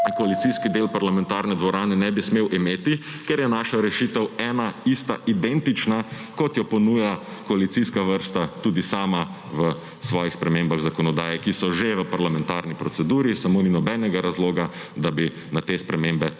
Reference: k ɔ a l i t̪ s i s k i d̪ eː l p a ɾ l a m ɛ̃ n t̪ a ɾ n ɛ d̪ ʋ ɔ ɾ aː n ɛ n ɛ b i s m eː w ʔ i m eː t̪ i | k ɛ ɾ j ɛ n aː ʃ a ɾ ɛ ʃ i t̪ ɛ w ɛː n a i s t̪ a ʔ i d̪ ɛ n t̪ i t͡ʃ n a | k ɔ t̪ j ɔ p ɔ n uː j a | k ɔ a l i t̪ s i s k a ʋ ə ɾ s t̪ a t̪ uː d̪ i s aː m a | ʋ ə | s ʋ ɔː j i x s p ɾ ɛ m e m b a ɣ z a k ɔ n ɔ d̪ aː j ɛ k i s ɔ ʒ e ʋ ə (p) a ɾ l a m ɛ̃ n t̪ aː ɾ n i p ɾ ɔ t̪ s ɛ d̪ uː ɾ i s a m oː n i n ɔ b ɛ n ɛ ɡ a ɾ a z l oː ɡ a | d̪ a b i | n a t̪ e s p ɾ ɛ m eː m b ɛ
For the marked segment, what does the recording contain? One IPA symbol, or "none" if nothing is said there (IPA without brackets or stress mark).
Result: p